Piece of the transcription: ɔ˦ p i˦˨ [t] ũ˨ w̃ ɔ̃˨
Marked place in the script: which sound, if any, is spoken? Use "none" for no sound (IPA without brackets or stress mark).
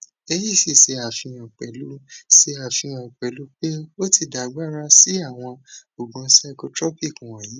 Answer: k